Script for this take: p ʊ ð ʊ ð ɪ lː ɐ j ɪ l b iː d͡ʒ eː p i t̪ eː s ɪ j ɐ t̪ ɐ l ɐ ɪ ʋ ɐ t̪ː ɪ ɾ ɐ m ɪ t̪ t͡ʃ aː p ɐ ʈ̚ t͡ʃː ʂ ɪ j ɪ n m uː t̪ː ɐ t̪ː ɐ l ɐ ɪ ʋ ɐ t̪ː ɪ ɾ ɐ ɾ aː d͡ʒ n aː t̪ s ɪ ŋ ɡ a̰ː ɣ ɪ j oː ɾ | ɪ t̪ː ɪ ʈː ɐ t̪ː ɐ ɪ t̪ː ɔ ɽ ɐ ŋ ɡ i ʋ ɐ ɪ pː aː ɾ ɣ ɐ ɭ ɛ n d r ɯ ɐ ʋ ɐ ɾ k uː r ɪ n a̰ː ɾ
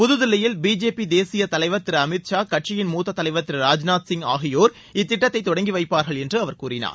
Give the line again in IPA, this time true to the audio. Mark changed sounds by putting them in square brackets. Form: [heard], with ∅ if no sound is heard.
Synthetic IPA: p ʊ ð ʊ ð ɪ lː ɐ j ɪ l b iː d͡ʒ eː p i [d̪] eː s ɪ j ɐ t̪ ɐ l ɐ ɪ ʋ ɐ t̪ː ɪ ɾ ɐ m ɪ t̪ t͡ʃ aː [k] ɐ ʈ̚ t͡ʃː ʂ ɪ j ɪ n m uː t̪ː ɐ t̪ː ɐ l ɐ ɪ ʋ ɐ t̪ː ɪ ɾ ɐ ɾ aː d͡ʒ n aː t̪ s ɪ ŋ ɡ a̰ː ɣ ɪ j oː ɾ | ɪ t̪ː ɪ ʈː ɐ t̪ː ɐ ɪ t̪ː ɔ ɽ ɐ ŋ ɡ i ʋ ɐ ɪ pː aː ɾ ɣ ɐ ɭ ɛ n d r ɯ ɐ ʋ ɐ ɾ k uː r ɪ n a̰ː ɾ

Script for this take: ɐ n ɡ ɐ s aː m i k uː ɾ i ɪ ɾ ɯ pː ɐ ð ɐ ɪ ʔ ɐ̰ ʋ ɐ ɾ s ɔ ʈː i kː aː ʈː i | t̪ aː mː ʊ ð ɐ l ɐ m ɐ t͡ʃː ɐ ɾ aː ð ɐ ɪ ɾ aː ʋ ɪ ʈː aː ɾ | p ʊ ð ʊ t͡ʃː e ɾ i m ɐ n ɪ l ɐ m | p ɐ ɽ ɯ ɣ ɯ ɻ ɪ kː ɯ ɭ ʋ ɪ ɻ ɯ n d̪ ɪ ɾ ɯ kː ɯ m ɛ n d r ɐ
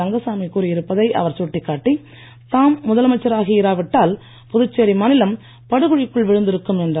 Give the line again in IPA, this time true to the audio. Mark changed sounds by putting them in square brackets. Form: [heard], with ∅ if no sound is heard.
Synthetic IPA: ɐ [ŋ] ɡ ɐ s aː m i k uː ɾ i ɪ ɾ ɯ pː ɐ ð ɐ ɪ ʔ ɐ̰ ʋ ɐ ɾ s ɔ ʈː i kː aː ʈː i | t̪ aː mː ʊ ð ɐ l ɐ m ɐ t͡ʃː ɐ ɾ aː [ɣ] ɐ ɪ ɾ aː ʋ ɪ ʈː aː [l] | p ʊ ð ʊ t͡ʃː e ɾ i m ɐ n ɪ l ɐ m | p ɐ ɽ ɯ ɣ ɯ ɻ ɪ kː ɯ ɭ ʋ ɪ ɻ ɯ n d̪ ɪ ɾ ɯ kː ɯ m ɛ n d r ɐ

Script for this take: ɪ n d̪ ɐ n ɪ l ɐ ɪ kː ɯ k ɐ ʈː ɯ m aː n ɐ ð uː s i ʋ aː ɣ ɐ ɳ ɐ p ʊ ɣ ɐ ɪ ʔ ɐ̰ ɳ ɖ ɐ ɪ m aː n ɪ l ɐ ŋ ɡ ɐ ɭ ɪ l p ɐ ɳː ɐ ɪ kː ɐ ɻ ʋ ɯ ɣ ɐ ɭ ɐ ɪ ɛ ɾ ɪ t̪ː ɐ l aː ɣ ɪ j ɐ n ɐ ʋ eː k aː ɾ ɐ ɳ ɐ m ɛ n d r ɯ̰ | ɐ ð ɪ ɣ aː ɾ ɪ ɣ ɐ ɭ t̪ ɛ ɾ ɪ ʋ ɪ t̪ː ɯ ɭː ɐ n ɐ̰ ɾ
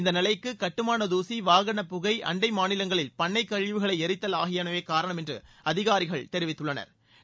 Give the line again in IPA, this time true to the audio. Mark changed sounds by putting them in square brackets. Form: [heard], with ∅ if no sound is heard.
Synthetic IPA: ɪ n d̪ ɐ n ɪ l ɐ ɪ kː ɯ k ɐ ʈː ɯ m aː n ɐ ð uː s i ʋ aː ɣ ɐ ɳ ɐ p ʊ ɣ ɐ ɪ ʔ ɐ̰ ɳ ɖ ɐ ɪ m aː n ɪ l ɐ ŋ ɡ ɐ ɭ ɪ l p ɐ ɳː ɐ ɪ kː ɐ ɻ ʋ ɯ ɣ ɐ ɭ ɐ ɪ ɛ ɾ ɪ t̪ː ɐ l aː ɣ ɪ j ɐ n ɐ ʋ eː k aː ɾ ɐ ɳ ɐ m ɛ n d r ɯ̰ | ɐ ð ɪ ɣ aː ɾ ɪ ɣ ɐ ɭ t̪ ɛ ɾ ɪ ʋ ɪ t̪ː ɯ ɭː ɐ n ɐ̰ ɾ

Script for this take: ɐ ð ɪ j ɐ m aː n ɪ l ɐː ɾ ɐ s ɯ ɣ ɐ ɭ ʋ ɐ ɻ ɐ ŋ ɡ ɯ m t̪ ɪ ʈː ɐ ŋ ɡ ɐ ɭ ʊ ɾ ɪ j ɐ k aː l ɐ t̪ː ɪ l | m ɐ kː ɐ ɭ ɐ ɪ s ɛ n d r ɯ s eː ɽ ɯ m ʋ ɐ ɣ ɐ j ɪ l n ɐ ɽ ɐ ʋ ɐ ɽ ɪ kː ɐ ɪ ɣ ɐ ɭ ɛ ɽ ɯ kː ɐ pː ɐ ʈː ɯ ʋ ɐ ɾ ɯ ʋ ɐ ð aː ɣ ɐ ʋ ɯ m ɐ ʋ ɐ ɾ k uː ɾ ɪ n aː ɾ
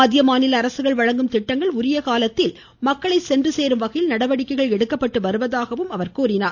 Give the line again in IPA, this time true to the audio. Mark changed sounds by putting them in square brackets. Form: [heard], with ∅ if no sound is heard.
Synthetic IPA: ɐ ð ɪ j ɐ m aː n ɪ l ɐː ɾ ɐ s ɯ ɣ ɐ ɭ ʋ ɐ ɻ ɐ ŋ ɡ ɯ m t̪ ɪ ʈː ɐ ŋ ɡ ɐ ɭ ʊ ɾ ɪ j ɐ k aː l ɐ t̪ː ɪ l | m ɐ kː ɐ ɭ ɐ ɪ s ɛ n d r ɯ s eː [ɾ] ɯ m ʋ ɐ ɣ ɐ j ɪ l n ɐ ɽ ɐ ʋ ɐ ɽ ɪ kː ɐ ɪ ɣ ɐ ɭ ɛ ɽ ɯ kː ɐ pː ɐ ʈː ɯ ʋ ɐ ɾ ɯ ʋ ɐ ð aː ɣ ɐ ʋ ɯ m ɐ ʋ ɐ ɾ k uː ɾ ɪ n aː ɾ

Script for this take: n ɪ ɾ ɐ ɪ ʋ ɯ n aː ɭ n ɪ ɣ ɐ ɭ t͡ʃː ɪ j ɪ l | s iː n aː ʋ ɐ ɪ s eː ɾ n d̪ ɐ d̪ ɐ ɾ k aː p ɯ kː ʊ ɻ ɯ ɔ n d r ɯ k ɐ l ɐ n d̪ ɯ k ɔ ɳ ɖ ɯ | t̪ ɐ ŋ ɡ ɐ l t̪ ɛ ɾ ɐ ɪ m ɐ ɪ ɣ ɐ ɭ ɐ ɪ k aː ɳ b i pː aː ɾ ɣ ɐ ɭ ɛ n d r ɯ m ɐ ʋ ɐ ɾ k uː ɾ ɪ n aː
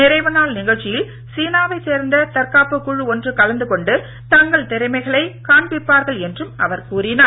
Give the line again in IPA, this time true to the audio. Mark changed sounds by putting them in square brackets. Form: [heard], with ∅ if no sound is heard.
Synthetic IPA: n ɪ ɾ ɐ ɪ ʋ ɯ n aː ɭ n ɪ ɣ ɐ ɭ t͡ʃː ɪ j ɪ l | s iː n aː ʋ ɐ ɪ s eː ɾ n d̪ ɐ [t̪] ɐ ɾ k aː p ɯ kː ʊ ɻ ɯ ɔ n d r ɯ k ɐ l ɐ n d̪ ɯ k ɔ ɳ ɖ ɯ | t̪ ɐ ŋ ɡ ɐ [ɭ] t̪ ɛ ɾ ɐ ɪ m ɐ ɪ ɣ ɐ ɭ ɐ ɪ k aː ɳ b [ɪ] pː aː ɾ ɣ ɐ ɭ ɛ n d r ɯ m ɐ ʋ ɐ ɾ k uː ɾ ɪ n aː

